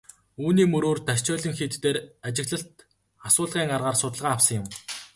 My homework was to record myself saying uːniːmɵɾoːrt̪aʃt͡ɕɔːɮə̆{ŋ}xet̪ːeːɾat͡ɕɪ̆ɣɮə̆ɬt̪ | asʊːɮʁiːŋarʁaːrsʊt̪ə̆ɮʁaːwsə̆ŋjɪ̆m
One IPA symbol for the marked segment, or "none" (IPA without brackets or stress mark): ŋ